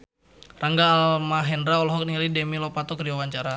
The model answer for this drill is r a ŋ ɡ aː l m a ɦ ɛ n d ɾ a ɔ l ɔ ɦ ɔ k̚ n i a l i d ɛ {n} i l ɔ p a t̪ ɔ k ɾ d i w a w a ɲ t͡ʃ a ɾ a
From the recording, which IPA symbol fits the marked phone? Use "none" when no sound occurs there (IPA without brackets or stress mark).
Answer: m